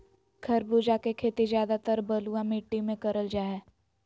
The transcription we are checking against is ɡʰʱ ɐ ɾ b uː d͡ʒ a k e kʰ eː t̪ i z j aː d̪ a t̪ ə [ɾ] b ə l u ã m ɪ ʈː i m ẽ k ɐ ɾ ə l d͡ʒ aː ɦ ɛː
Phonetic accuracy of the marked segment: correct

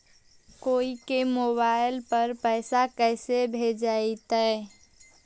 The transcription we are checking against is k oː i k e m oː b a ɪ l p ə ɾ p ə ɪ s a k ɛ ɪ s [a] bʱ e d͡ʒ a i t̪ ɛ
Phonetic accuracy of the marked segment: incorrect: e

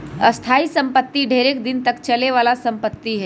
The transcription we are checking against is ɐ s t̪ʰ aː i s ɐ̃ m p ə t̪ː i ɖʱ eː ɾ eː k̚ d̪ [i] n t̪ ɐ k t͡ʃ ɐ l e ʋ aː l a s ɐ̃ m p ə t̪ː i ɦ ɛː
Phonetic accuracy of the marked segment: incorrect: ɪ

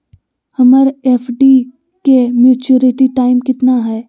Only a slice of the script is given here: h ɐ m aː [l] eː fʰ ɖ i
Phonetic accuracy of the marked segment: incorrect: ɾ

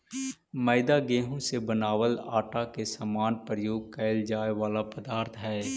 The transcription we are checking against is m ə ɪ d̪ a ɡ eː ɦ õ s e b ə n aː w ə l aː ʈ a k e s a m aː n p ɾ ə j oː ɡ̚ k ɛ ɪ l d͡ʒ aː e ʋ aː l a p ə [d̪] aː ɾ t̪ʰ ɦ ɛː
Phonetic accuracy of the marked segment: correct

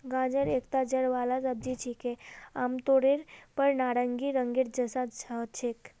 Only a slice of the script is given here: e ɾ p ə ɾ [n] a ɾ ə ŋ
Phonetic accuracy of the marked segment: correct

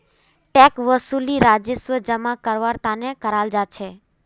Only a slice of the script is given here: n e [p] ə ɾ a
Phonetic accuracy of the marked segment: incorrect: k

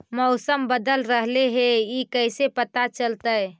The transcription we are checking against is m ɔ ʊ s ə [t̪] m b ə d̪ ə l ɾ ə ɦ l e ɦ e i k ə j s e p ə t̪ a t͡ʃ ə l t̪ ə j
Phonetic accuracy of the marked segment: incorrect: none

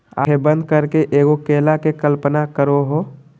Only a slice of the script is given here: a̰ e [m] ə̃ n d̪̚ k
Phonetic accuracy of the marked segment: incorrect: b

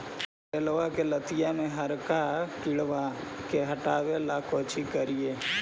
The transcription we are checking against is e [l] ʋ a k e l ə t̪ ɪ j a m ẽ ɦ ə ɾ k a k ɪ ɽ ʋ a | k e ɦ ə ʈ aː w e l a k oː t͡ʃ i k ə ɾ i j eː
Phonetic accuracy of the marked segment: correct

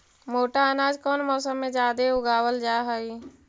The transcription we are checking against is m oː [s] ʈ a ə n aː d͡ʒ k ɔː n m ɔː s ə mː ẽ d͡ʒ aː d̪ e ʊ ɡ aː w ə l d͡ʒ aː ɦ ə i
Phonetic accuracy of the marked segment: incorrect: none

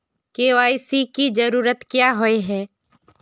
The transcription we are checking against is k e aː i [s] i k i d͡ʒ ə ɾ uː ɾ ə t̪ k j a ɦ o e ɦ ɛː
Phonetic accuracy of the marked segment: correct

